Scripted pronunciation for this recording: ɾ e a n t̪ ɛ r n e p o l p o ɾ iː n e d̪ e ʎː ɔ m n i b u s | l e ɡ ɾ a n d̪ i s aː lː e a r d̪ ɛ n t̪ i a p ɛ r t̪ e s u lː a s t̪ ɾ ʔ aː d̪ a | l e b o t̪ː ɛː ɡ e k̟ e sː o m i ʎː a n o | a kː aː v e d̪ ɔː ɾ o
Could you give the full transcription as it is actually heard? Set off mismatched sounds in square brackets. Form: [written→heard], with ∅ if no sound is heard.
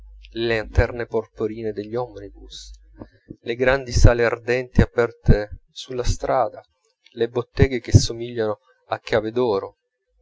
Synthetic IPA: [ɾ→l] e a n t̪ ɛ r n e p o [l→r] p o ɾ iː n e d̪ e ʎː ɔ m n i b u s | l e ɡ ɾ a n d̪ i s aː [lː→l] e a r d̪ ɛ n t̪ i a p ɛ r t̪ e s u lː a s t̪ ɾ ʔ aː d̪ a | l e b o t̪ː ɛː ɡ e k̟ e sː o m i ʎː a n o | a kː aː v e d̪ ɔː ɾ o

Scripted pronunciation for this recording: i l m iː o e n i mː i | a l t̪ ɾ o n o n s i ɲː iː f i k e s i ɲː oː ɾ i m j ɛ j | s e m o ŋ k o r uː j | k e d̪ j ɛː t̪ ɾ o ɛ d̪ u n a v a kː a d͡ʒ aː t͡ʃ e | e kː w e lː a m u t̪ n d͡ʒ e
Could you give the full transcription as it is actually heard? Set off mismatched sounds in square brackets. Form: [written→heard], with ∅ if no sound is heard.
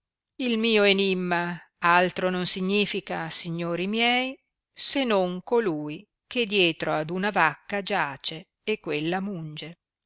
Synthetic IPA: i l m iː o e n i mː [i→a] | a l t̪ ɾ o n o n s i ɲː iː f i k [e→a] s i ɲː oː ɾ i m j ɛ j | s e [m→n] o ŋ k o [r→l] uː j | k e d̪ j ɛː t̪ ɾ o [ɛ→a] d̪ u n a v a kː a d͡ʒ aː t͡ʃ e | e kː w e lː a m u [t̪→∅] n d͡ʒ e

